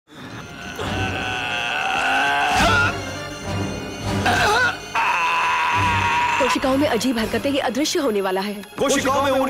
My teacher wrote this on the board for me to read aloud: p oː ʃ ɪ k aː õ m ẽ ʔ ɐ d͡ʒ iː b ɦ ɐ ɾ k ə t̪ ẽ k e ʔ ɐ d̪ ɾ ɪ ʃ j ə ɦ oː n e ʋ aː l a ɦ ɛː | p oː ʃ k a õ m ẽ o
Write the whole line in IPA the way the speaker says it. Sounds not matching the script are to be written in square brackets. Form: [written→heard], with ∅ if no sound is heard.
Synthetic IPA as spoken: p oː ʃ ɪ k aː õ m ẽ ʔ ɐ d͡ʒ iː b ɦ ɐ ɾ k ə t̪ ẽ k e ʔ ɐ d̪ ɾ ɪ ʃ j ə ɦ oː n e ʋ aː l a ɦ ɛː | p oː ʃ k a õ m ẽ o